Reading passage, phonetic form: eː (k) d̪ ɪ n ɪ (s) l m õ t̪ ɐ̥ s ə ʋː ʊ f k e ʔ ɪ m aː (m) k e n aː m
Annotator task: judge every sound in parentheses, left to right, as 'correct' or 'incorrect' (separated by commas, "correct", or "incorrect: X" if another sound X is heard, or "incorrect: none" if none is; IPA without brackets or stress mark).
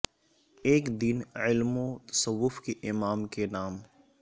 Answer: correct, incorrect: none, correct